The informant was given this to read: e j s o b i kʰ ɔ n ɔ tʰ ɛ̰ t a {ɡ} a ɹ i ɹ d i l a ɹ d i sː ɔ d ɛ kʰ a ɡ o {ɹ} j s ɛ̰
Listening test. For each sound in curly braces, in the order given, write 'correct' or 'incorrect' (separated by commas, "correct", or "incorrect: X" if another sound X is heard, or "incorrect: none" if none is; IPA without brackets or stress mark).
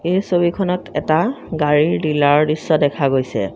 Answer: correct, incorrect: none